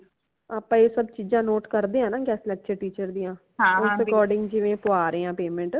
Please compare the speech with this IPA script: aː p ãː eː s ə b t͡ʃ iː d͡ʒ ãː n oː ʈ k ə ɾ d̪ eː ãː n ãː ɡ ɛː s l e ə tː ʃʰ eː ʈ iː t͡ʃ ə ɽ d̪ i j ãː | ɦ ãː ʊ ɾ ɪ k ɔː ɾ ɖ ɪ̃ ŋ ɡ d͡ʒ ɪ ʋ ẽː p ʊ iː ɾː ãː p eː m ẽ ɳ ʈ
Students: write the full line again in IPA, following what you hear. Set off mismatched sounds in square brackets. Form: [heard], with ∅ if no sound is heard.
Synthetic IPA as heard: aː p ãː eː s ə b t͡ʃ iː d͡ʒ ãː n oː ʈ k ə ɾ d̪ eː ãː n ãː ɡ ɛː s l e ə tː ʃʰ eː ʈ iː t͡ʃ ə [ɾ] d̪ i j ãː | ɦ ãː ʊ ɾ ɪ k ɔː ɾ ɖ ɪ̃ ŋ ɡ d͡ʒ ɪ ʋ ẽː p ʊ [aː] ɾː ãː p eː m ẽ ɳ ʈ